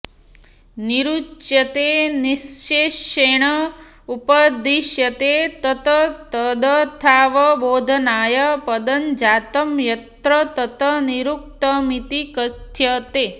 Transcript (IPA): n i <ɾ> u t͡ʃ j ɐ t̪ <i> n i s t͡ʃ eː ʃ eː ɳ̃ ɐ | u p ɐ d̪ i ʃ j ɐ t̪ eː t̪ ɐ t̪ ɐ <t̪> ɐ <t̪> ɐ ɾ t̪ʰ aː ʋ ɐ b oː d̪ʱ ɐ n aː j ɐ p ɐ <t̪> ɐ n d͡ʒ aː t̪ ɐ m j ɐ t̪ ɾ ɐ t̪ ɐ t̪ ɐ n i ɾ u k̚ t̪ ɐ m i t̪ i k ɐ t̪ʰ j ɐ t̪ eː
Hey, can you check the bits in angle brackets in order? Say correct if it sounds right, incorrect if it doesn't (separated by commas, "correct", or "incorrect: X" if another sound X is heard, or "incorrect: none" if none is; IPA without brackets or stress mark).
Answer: correct, incorrect: e, correct, incorrect: d̪, incorrect: d̪